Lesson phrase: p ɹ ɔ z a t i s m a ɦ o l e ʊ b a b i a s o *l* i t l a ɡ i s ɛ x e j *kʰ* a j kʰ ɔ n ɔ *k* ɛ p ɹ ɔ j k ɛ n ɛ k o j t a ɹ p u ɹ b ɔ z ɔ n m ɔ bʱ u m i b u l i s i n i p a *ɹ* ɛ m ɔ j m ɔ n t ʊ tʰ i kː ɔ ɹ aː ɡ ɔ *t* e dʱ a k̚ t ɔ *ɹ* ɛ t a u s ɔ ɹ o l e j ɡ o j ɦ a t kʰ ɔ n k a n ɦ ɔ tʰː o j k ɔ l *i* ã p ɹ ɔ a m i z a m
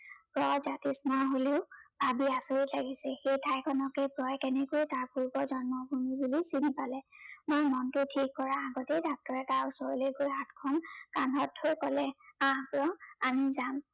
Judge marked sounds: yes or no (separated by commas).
no, no, yes, no, yes, yes, no